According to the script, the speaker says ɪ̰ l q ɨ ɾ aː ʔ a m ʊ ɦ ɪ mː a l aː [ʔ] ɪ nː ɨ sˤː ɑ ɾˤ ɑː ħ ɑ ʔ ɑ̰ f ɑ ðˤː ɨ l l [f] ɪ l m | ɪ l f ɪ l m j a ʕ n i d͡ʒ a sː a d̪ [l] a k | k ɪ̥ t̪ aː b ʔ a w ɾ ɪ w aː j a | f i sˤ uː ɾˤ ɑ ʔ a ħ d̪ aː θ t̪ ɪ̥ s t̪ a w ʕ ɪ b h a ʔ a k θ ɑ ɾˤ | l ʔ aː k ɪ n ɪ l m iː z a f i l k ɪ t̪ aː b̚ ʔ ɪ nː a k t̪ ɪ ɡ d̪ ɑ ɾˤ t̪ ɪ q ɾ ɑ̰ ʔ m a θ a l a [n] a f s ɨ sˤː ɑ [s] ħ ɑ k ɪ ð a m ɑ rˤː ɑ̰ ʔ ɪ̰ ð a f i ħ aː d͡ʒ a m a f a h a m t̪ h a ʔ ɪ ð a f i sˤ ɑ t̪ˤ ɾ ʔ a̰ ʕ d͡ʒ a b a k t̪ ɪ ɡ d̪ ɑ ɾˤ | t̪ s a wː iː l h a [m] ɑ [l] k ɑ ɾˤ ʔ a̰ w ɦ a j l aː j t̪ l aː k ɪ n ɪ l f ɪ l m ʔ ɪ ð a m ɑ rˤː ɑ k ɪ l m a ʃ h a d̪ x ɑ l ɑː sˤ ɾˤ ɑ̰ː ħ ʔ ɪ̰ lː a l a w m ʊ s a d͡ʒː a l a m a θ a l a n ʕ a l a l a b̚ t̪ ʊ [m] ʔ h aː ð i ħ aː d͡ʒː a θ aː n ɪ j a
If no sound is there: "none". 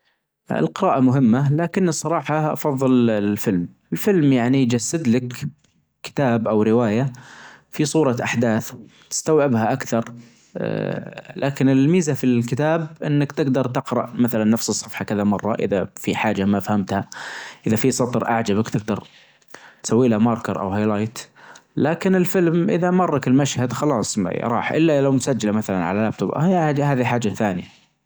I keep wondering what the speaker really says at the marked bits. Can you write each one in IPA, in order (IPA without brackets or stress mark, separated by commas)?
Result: k, f, l, nː, f, m, ɾ, b